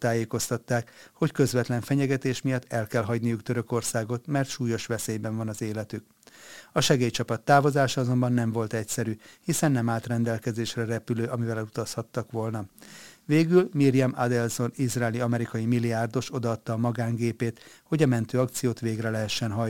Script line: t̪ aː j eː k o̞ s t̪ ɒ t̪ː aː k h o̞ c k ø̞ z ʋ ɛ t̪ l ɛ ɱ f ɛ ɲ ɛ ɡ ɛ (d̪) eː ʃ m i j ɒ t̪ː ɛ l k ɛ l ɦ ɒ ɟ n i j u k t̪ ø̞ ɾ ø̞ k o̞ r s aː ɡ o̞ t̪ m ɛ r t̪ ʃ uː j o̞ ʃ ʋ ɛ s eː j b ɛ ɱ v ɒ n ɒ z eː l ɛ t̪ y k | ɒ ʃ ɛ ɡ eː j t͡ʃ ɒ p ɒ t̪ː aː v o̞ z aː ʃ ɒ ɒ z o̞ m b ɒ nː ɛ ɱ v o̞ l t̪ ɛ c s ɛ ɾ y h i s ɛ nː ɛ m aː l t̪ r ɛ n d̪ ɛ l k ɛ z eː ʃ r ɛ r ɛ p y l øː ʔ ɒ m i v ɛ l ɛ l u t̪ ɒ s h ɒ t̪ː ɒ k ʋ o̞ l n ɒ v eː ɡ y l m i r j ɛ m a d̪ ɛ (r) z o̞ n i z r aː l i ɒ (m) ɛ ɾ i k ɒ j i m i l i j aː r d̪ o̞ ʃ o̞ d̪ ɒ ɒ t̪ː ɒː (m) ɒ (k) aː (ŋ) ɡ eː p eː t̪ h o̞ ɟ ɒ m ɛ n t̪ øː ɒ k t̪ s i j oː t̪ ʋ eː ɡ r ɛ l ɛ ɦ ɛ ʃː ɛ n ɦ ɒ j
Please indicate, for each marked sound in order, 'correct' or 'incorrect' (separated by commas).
incorrect, incorrect, correct, correct, incorrect, correct